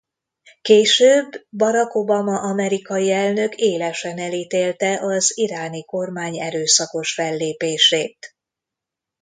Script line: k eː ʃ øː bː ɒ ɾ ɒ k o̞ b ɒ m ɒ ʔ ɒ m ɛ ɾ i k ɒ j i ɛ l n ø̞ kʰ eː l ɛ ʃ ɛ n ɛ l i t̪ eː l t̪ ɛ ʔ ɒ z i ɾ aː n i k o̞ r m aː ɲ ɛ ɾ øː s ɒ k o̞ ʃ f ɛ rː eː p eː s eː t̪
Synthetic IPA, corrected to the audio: k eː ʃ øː bː ɒ ɾ ɒ k o̞ b ɒ m ɒ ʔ ɒ m ɛ ɾ i k ɒ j i ɛ l n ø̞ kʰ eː l ɛ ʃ ɛ n ɛ l i t̪ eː l t̪ ɛ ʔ ɒ z i ɾ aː n i k o̞ r m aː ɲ ɛ ɾ øː s ɒ k o̞ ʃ f ɛ lː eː p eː ʃ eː t̪